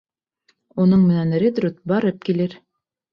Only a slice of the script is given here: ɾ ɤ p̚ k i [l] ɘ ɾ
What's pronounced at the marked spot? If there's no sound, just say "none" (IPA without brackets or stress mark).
l